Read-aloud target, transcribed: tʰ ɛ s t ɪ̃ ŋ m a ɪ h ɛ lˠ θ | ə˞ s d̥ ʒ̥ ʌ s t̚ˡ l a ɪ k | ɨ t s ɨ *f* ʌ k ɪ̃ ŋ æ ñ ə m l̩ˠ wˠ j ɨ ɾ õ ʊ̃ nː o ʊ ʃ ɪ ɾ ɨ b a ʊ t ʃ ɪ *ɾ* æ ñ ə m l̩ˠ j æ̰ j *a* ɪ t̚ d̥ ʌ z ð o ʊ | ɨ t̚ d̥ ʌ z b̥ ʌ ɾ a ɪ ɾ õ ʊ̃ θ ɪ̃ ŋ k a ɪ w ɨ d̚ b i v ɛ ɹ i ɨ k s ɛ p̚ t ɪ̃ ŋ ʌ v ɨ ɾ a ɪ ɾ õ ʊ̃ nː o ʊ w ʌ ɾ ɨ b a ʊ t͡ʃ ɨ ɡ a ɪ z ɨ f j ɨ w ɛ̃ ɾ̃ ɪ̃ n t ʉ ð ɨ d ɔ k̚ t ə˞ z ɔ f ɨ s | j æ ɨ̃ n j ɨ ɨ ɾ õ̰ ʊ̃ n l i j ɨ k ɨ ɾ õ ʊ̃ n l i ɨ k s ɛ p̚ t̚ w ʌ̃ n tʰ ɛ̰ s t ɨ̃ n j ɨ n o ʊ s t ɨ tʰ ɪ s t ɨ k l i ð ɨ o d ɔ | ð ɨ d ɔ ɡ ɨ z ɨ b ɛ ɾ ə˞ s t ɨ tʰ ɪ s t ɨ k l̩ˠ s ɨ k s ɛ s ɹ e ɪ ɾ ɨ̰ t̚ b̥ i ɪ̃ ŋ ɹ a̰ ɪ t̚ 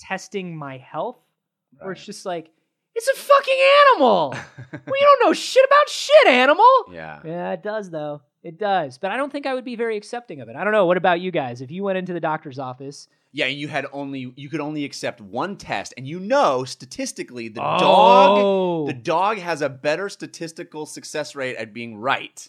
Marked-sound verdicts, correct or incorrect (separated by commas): correct, correct, incorrect